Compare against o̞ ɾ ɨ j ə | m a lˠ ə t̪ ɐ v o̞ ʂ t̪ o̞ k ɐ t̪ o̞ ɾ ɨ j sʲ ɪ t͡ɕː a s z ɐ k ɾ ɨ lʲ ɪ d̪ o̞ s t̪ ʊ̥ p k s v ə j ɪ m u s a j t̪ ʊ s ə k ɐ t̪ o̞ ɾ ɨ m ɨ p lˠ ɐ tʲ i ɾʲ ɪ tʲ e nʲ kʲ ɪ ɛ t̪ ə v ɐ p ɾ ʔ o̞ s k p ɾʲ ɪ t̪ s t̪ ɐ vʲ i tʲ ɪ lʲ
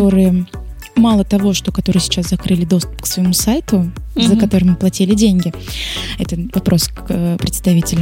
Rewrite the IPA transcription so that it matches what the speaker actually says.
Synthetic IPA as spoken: o̞ ɾ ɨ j ə | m a lˠ ə t̪ ɐ v o̞ ʂ t̪ o̞ k ɐ t̪ o̞ ɾ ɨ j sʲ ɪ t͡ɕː a s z ɐ k ɾ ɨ lʲ ɪ d̪ o̞ s t̪ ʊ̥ p k s v ə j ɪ m u s a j t̪ ʊ z ə k ɐ t̪ o̞ ɾ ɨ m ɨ p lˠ ɐ tʲ i lʲ ɪ dʲ e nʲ ɡʲ ɪ ɛ t̪ ə v ɐ p ɾ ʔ o̞ s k p ɾʲ ɪ t̪ s t̪ ɐ vʲ i tʲ ɪ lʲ